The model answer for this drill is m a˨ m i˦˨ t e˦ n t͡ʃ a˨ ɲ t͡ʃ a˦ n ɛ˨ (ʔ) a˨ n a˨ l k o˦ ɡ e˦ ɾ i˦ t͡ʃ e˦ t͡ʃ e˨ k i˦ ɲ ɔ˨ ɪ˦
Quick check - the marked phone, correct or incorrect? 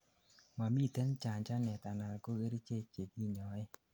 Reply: incorrect